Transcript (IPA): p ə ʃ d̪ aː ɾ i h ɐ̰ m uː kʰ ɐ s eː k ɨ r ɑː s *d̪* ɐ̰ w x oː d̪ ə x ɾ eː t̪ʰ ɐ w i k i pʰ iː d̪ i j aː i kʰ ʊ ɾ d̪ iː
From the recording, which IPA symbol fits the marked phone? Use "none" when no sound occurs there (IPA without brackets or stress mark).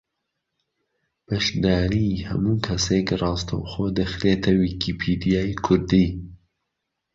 t̪